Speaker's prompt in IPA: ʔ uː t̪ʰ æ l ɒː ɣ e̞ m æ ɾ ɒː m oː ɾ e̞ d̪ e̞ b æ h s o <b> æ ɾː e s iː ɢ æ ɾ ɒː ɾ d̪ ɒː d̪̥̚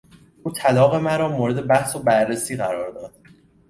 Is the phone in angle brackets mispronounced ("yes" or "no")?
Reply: no